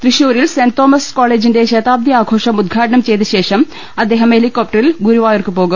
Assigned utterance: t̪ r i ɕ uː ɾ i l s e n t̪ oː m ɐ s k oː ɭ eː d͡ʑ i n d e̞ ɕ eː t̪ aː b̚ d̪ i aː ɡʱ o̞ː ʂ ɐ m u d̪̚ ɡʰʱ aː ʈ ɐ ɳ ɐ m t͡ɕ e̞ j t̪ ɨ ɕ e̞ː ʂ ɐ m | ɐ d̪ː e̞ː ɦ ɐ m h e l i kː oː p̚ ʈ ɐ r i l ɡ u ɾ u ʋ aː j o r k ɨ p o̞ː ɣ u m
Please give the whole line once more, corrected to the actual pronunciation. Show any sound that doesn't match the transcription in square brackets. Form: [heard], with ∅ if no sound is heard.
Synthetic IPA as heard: t̪ r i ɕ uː ɾ i l s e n t̪ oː m ɐ s k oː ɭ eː d͡ʑ i n d e̞ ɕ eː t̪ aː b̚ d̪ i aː ɡʱ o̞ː ʂ ɐ m u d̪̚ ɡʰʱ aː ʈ ɐ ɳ ɐ m t͡ɕ e̞ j t̪ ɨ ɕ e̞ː ʂ ɐ m | ɐ d̪ː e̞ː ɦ ɐ m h e l i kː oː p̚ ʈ ɐ r i l ɡ u ɾ u ʋ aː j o r k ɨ p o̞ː ɣ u m